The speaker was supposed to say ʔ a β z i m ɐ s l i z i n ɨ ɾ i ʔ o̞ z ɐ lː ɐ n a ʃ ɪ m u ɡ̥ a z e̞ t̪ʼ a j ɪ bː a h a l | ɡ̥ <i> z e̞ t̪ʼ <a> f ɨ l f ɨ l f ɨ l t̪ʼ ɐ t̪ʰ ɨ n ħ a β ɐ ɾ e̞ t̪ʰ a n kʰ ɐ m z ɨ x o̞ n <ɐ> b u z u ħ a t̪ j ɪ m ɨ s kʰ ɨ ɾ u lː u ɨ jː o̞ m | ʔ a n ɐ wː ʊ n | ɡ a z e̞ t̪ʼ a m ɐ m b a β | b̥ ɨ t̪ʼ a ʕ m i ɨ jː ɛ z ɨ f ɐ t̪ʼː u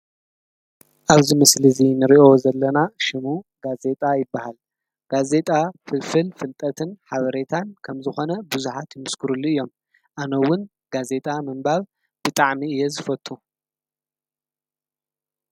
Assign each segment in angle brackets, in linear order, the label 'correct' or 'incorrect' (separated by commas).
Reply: incorrect, correct, correct